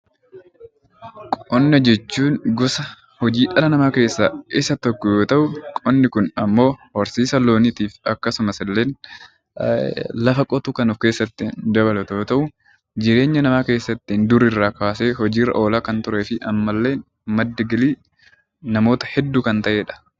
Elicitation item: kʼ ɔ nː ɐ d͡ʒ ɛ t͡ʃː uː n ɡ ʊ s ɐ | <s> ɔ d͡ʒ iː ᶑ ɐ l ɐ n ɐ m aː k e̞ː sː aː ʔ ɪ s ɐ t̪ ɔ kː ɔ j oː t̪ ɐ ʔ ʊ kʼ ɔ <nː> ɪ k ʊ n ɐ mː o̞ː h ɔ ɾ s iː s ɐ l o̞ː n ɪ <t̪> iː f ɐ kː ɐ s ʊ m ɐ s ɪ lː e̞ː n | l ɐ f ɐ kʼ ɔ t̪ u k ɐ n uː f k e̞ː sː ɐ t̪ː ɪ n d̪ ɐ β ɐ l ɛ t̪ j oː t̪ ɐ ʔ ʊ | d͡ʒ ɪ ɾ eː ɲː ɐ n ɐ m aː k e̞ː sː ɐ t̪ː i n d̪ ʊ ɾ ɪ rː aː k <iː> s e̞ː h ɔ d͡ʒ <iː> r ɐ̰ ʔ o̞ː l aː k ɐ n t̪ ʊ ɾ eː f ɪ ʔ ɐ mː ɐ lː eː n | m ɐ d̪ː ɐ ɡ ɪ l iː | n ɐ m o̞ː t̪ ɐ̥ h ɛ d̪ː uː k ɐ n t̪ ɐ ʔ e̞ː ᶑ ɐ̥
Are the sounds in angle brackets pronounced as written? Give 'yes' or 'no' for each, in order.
no, yes, yes, no, yes

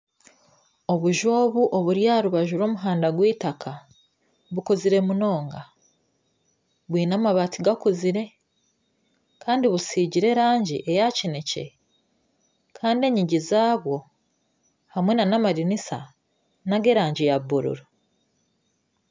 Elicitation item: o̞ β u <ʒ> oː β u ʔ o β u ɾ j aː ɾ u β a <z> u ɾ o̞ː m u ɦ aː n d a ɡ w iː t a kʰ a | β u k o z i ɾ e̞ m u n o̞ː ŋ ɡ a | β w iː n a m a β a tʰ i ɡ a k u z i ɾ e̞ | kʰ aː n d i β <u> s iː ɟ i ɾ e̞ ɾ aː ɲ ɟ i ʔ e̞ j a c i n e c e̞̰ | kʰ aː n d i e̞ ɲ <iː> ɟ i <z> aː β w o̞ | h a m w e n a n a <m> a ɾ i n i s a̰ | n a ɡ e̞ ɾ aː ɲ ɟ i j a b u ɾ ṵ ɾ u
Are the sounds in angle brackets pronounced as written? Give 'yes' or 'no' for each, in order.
yes, no, yes, no, yes, yes

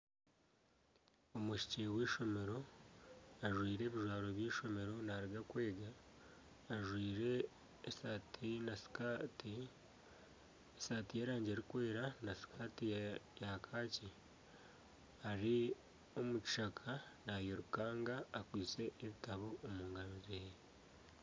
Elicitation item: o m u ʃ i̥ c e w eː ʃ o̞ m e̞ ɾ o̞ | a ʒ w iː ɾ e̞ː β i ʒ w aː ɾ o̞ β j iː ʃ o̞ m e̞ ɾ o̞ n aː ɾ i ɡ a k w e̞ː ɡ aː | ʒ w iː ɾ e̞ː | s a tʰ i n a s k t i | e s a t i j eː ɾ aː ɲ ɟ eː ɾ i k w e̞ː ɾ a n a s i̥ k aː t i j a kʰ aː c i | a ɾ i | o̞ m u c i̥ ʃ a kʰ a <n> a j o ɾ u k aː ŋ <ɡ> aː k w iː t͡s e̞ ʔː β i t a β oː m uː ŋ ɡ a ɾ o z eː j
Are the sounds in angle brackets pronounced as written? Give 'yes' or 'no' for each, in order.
yes, yes

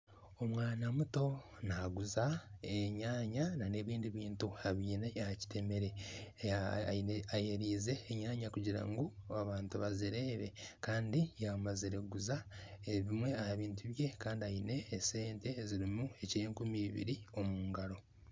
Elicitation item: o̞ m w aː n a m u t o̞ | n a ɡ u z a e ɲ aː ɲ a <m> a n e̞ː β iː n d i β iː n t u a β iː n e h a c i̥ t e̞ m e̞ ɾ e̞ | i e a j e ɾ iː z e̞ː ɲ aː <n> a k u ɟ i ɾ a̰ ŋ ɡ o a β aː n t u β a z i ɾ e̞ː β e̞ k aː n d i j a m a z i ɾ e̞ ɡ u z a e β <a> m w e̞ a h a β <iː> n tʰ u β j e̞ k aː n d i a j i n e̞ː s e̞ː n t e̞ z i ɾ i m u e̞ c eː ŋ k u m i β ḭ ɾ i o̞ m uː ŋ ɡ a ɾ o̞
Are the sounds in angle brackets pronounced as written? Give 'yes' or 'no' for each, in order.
no, no, no, yes

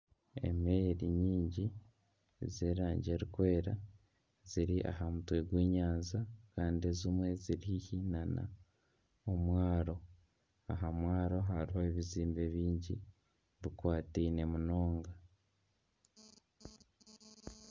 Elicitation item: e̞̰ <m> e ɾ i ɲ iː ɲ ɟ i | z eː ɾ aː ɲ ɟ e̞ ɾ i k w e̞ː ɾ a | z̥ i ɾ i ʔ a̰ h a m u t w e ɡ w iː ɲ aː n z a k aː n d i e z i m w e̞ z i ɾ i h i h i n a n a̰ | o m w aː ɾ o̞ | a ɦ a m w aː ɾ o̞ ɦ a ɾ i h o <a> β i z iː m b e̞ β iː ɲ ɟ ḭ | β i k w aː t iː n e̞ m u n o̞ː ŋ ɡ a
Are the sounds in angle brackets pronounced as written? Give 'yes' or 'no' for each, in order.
yes, no

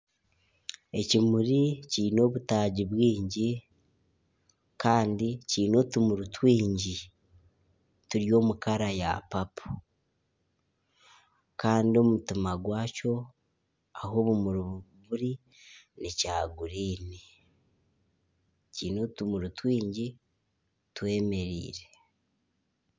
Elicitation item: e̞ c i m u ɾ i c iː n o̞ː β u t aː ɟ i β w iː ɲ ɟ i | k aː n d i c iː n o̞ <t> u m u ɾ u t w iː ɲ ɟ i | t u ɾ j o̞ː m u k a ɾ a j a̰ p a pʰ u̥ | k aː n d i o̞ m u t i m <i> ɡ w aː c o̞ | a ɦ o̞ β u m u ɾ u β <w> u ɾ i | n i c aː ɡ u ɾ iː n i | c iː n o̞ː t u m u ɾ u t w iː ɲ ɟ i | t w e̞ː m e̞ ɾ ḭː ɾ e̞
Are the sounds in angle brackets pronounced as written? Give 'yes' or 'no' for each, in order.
yes, no, no

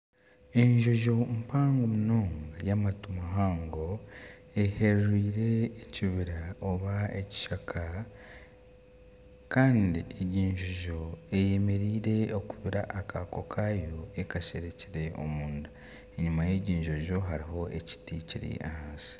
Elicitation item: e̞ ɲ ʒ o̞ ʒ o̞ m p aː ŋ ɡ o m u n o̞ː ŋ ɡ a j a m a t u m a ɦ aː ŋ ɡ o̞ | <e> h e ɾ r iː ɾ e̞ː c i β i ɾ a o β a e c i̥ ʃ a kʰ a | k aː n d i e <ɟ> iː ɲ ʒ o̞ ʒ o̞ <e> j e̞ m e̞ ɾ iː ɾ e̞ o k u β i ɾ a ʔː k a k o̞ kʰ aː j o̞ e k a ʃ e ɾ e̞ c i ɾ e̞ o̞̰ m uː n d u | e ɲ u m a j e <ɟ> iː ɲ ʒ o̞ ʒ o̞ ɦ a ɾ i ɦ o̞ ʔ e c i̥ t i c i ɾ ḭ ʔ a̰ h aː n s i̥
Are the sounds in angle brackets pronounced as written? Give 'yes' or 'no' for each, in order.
yes, yes, yes, yes

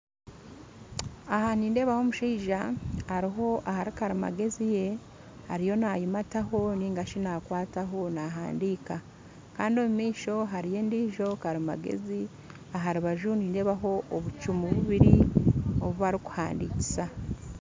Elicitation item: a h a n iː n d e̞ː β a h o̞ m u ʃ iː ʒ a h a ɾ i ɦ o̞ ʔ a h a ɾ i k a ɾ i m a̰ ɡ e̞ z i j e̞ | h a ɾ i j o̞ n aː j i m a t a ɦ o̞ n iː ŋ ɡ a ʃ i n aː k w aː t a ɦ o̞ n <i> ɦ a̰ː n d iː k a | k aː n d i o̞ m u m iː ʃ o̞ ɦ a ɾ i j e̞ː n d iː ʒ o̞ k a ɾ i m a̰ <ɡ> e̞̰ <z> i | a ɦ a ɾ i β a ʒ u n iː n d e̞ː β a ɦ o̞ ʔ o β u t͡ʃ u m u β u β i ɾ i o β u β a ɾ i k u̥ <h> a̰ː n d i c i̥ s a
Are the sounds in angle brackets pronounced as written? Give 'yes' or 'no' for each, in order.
no, yes, yes, yes

